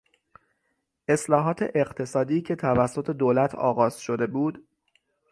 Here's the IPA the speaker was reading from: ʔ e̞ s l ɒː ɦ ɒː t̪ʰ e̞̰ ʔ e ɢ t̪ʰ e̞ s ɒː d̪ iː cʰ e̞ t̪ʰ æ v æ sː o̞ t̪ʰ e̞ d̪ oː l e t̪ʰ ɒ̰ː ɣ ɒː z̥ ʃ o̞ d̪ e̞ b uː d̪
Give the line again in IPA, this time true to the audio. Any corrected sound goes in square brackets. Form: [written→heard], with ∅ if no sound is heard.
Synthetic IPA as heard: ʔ e̞ s l ɒː ɦ ɒː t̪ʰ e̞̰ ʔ e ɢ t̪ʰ e̞ s ɒː d̪ iː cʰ e̞ t̪ʰ æ v æ sː o̞ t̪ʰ e̞ d̪ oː l [e→æ] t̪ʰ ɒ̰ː ɣ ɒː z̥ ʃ o̞ d̪ e̞ b uː d̪